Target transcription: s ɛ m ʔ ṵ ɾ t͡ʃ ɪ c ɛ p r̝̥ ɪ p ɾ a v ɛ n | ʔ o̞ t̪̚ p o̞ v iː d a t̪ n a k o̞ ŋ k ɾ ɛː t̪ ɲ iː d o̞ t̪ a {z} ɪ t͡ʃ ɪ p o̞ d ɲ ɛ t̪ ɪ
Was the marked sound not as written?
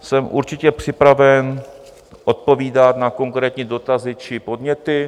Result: no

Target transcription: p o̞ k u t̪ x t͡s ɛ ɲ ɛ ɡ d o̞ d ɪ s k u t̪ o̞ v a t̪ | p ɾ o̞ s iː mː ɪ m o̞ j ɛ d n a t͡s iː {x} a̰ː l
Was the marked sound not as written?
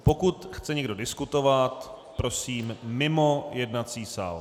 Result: yes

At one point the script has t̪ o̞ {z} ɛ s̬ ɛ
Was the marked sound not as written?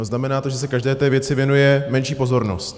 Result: yes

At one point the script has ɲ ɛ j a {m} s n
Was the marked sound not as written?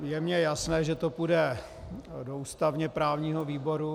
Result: yes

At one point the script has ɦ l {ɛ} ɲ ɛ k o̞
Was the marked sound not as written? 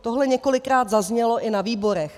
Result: no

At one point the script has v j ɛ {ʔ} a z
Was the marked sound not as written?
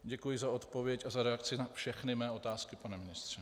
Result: yes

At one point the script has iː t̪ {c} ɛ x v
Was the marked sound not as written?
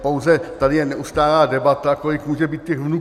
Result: no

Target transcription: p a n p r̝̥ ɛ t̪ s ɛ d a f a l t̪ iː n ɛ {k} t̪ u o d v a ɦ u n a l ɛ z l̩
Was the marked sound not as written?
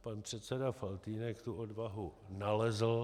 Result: no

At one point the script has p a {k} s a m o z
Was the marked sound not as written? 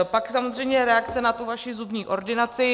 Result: no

